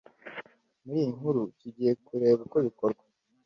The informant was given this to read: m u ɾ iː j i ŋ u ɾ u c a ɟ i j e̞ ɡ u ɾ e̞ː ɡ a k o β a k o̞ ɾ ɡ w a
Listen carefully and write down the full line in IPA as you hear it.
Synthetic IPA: m u ɾ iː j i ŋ u ɾ u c i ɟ i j e̞ k u ɾ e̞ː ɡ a k o β i k o̞ ɾ ɡ w a